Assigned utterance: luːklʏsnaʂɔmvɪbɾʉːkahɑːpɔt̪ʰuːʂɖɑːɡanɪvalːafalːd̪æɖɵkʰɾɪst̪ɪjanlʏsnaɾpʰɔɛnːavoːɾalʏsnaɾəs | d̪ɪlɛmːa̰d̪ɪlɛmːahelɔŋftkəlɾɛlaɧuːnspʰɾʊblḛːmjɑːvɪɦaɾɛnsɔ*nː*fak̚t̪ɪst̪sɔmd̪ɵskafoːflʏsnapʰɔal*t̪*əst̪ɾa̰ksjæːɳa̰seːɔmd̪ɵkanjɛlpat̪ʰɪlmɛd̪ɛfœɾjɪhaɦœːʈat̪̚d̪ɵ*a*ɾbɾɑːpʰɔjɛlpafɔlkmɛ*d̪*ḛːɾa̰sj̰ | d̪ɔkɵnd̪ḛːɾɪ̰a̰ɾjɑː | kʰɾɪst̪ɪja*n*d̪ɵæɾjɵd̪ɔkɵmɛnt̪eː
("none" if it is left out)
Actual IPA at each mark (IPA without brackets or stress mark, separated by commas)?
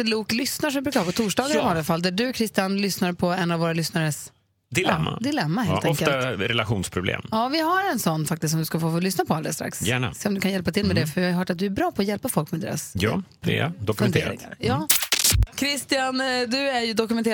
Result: nː, d̪, æ, d̪, n